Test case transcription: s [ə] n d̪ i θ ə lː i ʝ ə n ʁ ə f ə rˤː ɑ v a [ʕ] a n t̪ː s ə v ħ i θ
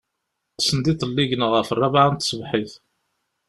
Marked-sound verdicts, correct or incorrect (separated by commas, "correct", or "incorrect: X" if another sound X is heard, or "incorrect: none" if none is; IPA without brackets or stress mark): correct, correct